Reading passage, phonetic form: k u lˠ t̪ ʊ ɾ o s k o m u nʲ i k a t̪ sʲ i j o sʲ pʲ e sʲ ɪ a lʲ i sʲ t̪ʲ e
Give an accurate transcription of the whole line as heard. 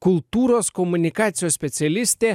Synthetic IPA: k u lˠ t̪ u ɾ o s k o m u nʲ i k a t̪ sʲ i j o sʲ pʲ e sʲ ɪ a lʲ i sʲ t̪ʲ e

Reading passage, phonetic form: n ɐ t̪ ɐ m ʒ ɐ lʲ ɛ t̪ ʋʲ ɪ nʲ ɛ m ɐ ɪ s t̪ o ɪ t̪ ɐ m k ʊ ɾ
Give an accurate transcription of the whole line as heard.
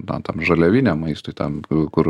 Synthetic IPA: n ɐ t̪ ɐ m ʒ ɐ lʲ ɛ ʋʲ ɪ nʲ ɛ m ɐ ɪ s t̪ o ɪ t̪ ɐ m k ʊ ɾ

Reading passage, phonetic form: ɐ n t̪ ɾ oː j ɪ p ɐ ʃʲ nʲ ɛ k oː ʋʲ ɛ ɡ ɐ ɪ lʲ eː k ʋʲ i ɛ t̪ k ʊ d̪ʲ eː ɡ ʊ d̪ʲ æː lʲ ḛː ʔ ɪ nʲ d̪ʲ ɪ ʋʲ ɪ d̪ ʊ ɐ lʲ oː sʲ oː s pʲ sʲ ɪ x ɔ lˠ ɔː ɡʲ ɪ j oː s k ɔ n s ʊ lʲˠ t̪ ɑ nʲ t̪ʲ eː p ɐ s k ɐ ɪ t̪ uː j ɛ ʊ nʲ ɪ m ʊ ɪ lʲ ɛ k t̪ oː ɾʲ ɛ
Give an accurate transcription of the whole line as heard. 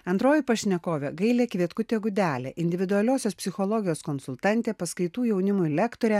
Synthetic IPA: ɐ n t̪ ɾ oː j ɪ p ɐ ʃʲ nʲ ɛ k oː ʋʲ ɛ ɡ ɐ ɪ lʲ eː k ʋʲ i ɛ t̪ k ʊ t̪ʲ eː ɡ ʊ d̪ʲ æː lʲ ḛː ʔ ɪ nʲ d̪ʲ ɪ ʋʲ ɪ d̪ ʊ ɐ lʲ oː sʲ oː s pʲ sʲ ɪ x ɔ lˠ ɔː ɡʲ ɪ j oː s k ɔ n s ʊ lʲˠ t̪ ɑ nʲ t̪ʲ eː p ɐ s k ɐ ɪ t̪ uː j ɛ ʊ nʲ ɪ m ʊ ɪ lʲ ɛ k t̪ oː ɾʲ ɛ

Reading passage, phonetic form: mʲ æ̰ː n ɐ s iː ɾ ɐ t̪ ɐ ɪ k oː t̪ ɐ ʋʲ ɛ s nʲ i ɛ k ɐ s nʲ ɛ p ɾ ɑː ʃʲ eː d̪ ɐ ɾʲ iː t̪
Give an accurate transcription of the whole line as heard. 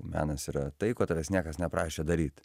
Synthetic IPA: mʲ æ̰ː n ɐ s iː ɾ ɐ t̪ ɐ ɪ k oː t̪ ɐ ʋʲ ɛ s nʲ i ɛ k ɐ s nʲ ɛ p ɾ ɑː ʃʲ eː d̪ ɐ ɾʲ iː t̪

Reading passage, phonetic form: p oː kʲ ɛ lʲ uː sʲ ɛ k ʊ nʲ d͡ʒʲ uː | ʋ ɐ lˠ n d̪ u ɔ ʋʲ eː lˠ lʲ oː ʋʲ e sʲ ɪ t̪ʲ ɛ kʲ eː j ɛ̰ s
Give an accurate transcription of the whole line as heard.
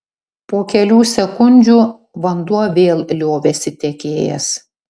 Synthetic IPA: p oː kʲ ɛ lʲ uː sʲ ɛ k ʊ nʲ d͡ʒʲ uː | ʋ ɐ n d̪ u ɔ ʋʲ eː lˠ lʲ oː ʋʲ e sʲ ɪ t̪ʲ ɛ kʲ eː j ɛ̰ s

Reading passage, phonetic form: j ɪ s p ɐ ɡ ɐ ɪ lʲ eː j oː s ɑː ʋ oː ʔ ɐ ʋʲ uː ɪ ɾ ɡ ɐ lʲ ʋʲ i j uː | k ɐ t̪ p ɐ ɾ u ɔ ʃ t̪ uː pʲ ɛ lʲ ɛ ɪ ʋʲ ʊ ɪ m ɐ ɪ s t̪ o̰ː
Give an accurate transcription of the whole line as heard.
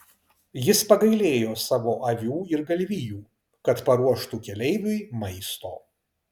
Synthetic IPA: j ɪ s p ɐ ɡ ɐ ɪ lʲ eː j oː s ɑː ʋ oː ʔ ɐ ʋʲ uː ɪ ɾ ɡ ɐ lʲ ʋʲ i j uː | k ɐ t̪ p ɐ ɾ u ɔ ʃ t̪ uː kʲ ɛ lʲ ɛ ɪ ʋʲ ʊ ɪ m ɐ ɪ s t̪ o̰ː

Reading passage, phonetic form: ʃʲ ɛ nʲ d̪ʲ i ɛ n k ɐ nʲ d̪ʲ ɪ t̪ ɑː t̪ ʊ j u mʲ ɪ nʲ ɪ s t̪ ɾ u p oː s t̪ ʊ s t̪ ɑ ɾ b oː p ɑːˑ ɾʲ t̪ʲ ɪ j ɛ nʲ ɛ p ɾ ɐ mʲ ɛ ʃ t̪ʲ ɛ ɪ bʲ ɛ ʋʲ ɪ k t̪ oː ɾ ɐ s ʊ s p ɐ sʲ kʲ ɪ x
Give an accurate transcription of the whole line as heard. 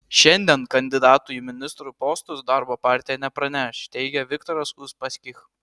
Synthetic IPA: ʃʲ ɛ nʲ d̪ʲ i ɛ n k ɐ nʲ d̪ʲ ɪ d̪ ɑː t̪ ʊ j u mʲ ɪ nʲ ɪ s t̪ ɾ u p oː s t̪ ʊ s d̪ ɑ ɾ b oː p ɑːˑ ɾʲ t̪ʲ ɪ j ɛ nʲ ɛ p ɾ ɐ nʲ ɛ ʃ t̪ʲ ɛ ɪ ɡʲ ɛ ʋʲ ɪ k t̪ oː ɾ ɐ s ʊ s p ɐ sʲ kʲ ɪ x

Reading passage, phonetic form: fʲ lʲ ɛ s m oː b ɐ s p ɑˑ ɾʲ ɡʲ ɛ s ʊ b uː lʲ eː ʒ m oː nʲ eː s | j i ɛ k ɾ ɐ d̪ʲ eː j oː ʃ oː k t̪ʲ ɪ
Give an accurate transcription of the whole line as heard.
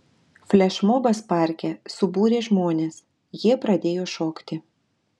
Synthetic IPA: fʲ lʲ ɛ ʃ m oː b ɐ s p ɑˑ ɾʲ kʲ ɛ s ʊ b uː ɾʲ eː ʒ m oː nʲ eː s | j i ɛ p ɾ ɐ d̪ʲ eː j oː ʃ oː k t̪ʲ ɪ

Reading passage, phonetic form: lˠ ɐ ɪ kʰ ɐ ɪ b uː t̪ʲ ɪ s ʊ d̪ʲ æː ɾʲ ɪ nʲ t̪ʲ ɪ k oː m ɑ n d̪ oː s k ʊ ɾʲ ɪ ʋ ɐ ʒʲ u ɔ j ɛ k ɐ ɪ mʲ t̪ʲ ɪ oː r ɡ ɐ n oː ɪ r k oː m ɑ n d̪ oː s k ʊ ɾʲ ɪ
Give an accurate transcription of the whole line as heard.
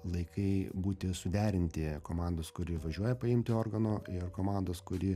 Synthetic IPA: lˠ ɐ ɪ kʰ ɐ ɪ b uː t̪ʲ ɪ s ʊ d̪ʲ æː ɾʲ ɪ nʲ t̪ʲ ɪ k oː m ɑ n d̪ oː s k ʊ ɾʲ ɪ ʋ ɐ ʒʲ u ɔ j ɛ p ɐ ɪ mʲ t̪ʲ ɪ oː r ɡ ɐ n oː ɪ r k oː m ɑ n d̪ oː s k ʊ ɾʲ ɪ

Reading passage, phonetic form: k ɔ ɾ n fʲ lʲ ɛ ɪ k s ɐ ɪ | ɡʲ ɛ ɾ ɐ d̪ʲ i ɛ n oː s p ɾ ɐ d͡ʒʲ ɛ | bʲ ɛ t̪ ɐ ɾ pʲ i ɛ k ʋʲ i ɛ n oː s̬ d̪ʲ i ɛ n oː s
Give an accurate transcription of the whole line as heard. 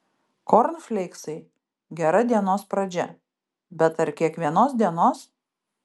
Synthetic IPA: k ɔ ɾ n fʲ lʲ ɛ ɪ k s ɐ ɪ | ɡʲ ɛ ɾ ɐ d̪ʲ i ɛ n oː s p ɾ ɐ d͡ʒʲ ɛ | bʲ ɛ t̪ ɐ ɾ kʲ i ɛ k ʋʲ i ɛ n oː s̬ d̪ʲ i ɛ n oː s

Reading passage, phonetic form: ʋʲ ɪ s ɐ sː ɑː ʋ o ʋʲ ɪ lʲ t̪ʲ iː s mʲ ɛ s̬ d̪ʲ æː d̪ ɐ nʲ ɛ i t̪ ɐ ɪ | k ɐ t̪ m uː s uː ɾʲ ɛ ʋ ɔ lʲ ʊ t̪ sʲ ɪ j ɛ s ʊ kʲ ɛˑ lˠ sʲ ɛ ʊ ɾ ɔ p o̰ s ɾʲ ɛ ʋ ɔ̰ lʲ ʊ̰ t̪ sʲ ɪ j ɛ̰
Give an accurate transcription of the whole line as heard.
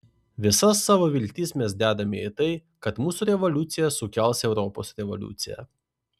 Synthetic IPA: ʋʲ ɪ s ɐ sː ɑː ʋ o ʋʲ ɪ lʲ t̪ʲ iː s mʲ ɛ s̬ d̪ʲ æː d̪ ɐ mʲ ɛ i t̪ ɐ ɪ | k ɐ t̪ m uː s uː ɾʲ ɛ ʋ ɔ lʲ ʊ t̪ sʲ ɪ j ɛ s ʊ kʲ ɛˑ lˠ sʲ ɛ ʊ ɾ ɔ p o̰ s ɾʲ ɛ ʋ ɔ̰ lʲ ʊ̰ t̪ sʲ ɪ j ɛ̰

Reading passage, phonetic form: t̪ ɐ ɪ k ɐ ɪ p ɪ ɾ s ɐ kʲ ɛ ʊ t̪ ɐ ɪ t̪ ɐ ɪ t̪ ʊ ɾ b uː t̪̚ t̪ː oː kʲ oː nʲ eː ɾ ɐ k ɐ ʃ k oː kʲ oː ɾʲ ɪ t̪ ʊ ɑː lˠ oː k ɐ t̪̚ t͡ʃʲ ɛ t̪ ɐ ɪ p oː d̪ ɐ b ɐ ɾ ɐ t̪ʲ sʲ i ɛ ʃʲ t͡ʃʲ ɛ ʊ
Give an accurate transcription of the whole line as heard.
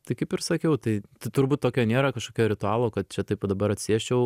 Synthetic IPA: t̪ ɐ ɪ k ɐ ɪ p ɪ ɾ s ɐ kʲ ɛ ʊ t̪ ɐ ɪ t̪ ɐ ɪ t̪ ʊ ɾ b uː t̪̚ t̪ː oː kʲ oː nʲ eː ɾ ɐ k ɐ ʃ k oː kʲ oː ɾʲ ɪ t̪ ʊ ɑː lˠ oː k ɐ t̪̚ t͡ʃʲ ɛ t̪ ɐ ɪ p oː d̪ ɐ b ɐ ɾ ɐ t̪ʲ sʲ i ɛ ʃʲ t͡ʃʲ ɛ ʊ

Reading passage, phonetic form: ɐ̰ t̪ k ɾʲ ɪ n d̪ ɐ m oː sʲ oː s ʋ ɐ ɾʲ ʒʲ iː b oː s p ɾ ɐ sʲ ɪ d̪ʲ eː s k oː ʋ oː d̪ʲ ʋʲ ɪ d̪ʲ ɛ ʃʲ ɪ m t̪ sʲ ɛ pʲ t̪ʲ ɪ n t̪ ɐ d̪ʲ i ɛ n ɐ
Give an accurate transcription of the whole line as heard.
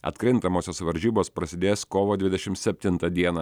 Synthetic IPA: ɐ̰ t̪ k ɾʲ ɪ n t̪ ɐ m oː sʲ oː s ʋ ɐ ɾʲ ʒʲ iː b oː s p ɾ ɐ sʲ ɪ d̪ʲ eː s k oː ʋ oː d̪ʲ ʋʲ ɪ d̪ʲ ɛ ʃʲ ɪ m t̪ sʲ ɛ pʲ t̪ʲ ɪ n t̪ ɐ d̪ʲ i ɛ n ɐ

